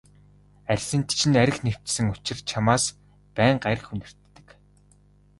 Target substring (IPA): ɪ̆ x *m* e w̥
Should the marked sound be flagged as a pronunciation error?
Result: yes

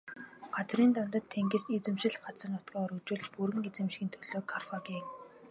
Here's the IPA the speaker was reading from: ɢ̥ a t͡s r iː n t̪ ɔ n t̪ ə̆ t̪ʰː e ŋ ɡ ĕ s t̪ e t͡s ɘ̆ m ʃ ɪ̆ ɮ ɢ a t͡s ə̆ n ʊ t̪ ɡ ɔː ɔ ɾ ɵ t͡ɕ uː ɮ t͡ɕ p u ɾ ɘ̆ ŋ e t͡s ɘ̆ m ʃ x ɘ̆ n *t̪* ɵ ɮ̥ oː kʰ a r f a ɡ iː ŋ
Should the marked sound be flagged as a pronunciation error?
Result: yes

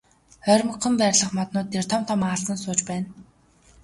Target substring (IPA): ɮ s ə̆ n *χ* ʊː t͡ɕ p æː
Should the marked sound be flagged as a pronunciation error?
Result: yes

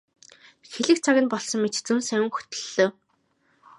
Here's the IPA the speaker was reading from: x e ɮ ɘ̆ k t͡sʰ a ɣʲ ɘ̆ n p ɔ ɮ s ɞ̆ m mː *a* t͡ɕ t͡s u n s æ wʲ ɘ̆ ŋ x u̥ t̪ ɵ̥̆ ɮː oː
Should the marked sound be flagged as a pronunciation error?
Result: yes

